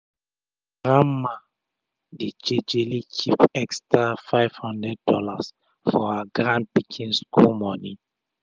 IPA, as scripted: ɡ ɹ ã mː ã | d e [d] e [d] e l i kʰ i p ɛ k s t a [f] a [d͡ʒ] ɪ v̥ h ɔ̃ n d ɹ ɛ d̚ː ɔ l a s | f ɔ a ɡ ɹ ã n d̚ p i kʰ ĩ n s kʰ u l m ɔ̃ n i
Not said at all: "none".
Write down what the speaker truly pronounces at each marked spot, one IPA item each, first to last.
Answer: d͡ʒ, d͡ʒ, f, none

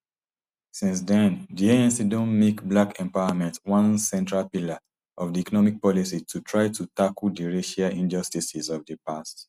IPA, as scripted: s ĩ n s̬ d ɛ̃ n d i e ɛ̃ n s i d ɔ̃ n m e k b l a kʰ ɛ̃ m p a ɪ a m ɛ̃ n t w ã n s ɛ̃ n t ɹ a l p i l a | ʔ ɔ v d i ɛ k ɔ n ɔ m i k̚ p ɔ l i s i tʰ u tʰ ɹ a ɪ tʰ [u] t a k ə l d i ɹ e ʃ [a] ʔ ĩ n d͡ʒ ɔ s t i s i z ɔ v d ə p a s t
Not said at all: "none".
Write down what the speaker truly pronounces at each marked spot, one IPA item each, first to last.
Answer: u, a

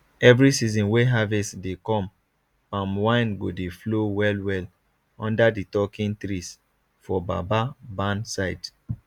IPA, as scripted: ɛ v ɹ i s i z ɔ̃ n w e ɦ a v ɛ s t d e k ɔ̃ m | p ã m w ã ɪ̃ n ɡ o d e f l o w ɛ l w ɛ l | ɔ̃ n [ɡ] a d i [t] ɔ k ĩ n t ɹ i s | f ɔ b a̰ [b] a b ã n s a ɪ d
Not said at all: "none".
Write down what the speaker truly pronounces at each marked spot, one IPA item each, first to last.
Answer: d, t, b

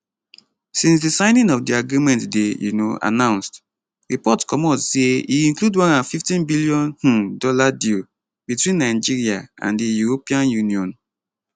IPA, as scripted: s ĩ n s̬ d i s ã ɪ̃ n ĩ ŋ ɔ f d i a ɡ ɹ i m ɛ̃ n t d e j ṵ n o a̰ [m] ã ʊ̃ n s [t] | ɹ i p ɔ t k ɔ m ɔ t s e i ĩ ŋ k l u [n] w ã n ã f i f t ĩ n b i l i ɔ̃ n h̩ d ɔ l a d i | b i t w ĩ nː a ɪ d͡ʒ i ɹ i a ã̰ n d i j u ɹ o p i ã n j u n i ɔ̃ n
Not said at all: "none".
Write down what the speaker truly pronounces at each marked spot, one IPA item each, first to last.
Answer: n, t, d

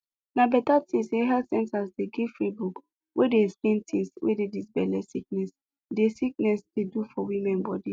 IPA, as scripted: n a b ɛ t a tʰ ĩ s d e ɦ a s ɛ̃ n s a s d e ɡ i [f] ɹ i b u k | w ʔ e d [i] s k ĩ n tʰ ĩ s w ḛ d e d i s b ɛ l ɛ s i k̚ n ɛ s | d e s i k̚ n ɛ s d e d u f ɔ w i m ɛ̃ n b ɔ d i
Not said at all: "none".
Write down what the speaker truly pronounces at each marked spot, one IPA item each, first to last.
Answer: f, e

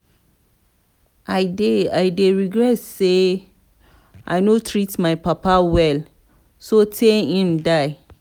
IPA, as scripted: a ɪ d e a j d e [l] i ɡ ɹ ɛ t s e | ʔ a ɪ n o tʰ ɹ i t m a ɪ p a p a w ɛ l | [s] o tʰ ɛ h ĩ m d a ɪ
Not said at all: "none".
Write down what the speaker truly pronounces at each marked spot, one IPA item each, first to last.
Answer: ɹ, s

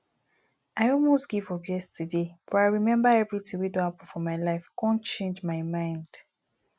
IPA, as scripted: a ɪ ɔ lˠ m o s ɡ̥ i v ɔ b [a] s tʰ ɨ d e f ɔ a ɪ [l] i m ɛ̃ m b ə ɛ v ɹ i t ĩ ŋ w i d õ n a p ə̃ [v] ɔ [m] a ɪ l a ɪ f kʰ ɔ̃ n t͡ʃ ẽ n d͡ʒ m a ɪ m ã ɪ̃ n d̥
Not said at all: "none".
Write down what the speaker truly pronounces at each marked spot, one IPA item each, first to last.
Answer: ɛ, ɹ, f, m

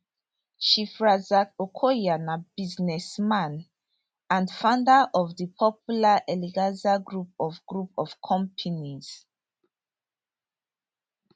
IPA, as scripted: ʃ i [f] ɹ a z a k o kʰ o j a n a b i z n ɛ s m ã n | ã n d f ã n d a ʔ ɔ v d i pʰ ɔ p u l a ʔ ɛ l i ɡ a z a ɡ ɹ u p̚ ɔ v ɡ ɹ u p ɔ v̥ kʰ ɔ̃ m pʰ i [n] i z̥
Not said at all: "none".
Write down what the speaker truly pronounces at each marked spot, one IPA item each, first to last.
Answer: f, n

